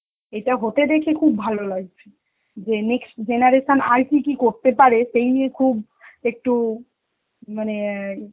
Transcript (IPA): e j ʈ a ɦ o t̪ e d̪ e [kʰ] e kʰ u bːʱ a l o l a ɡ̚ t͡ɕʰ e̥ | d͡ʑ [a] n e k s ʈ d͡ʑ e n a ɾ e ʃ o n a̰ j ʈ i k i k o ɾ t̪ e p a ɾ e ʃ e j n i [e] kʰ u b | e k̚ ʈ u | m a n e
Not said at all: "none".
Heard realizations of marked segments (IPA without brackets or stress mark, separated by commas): kʰ, e, e